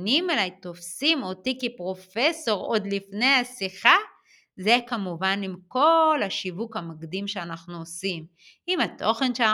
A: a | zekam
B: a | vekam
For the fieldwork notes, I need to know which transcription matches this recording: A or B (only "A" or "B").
A